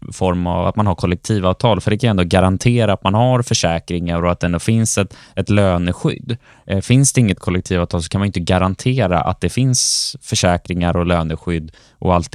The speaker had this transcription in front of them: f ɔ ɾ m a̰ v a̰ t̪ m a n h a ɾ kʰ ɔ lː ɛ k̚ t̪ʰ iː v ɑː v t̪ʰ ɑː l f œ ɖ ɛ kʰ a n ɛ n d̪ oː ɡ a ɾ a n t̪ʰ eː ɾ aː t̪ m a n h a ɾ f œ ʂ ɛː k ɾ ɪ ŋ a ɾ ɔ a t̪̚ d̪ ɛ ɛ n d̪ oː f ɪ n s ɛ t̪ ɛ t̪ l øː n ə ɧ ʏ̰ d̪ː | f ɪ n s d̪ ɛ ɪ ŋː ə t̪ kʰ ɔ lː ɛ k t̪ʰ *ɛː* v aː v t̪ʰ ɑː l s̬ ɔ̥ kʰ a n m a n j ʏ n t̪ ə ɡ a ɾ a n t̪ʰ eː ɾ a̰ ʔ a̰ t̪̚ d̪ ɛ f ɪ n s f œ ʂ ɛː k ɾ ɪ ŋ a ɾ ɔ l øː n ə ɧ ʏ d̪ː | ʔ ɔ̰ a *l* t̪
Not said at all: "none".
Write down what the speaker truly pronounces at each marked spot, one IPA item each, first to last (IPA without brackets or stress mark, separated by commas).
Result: iː, l